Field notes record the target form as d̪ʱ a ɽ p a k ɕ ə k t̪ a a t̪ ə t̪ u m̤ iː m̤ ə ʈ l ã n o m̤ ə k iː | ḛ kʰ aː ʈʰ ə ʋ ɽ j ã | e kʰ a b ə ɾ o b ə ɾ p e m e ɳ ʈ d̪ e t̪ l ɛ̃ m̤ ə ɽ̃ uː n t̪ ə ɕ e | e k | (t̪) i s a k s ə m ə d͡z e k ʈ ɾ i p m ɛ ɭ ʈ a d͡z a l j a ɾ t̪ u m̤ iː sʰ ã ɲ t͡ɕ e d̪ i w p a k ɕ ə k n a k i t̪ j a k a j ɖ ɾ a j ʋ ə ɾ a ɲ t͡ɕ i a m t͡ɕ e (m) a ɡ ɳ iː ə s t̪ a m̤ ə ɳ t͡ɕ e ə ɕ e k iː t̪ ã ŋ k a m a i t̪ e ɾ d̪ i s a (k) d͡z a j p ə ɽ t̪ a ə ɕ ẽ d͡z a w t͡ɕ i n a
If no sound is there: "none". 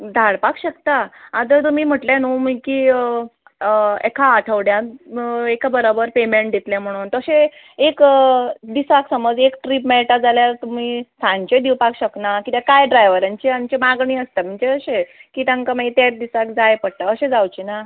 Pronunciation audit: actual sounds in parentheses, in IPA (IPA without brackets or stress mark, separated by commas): d̪, m, k